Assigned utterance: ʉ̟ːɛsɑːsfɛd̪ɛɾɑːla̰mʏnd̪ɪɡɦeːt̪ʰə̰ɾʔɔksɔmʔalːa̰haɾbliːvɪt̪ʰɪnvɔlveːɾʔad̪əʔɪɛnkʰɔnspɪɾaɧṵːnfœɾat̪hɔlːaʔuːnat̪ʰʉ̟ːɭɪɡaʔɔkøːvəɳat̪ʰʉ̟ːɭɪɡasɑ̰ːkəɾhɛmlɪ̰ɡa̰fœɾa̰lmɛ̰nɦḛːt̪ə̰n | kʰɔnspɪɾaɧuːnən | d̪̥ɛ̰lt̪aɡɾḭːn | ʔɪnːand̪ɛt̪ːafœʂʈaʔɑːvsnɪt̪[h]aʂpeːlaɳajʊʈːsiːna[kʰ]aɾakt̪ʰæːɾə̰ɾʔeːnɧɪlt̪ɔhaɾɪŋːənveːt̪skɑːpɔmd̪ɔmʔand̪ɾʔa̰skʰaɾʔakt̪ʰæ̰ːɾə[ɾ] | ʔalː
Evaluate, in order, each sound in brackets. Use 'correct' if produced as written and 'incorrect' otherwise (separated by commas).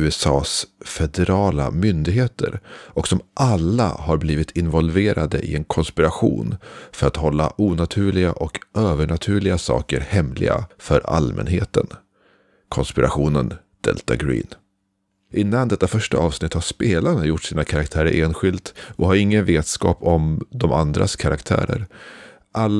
correct, correct, correct